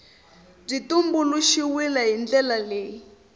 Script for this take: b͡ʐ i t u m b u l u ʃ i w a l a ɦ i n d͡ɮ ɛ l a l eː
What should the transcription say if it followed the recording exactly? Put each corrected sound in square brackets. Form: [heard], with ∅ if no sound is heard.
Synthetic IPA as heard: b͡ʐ i t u m b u l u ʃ i w [i] l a ɦ i n d͡ɮ ɛ l a l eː

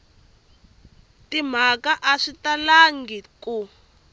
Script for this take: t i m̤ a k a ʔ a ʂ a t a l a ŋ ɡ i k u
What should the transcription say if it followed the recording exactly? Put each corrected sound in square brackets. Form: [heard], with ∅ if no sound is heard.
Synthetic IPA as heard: t i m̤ a k a ʔ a ʂ [i] t a l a ŋ ɡ i k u

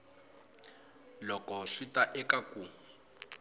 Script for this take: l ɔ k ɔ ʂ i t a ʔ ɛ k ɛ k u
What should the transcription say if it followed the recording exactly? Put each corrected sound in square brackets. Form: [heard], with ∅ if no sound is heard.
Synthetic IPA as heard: l ɔ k ɔ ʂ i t a ʔ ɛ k [a] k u

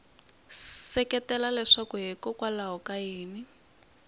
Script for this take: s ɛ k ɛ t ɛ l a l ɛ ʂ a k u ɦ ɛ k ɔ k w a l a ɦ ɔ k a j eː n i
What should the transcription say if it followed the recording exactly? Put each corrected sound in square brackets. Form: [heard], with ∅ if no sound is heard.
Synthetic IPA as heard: s ɛ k ɛ t ɛ l a l ɛ ʂ a k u ɦ ɛ k ɔ k w a l a ɦ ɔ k a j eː n i

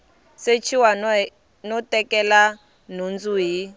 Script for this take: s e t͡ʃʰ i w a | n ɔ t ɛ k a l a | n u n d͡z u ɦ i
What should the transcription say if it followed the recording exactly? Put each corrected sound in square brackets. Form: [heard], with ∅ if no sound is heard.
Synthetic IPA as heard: s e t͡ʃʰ i w a | n ɔ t ɛ k [ɛ] l a | n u n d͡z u ɦ i

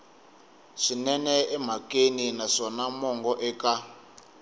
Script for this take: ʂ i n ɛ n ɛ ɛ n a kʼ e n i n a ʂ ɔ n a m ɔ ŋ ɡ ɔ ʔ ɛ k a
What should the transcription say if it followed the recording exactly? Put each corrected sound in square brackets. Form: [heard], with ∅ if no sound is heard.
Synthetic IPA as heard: ʂ i n ɛ n ɛ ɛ [m] a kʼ e n i n a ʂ ɔ n a m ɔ ŋ ɡ ɔ ʔ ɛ k a

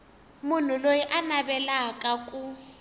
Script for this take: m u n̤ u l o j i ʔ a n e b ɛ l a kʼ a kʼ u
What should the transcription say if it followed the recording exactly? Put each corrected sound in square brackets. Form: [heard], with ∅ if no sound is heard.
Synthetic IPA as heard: m u n̤ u l o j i ʔ a n [a] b ɛ l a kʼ a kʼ u

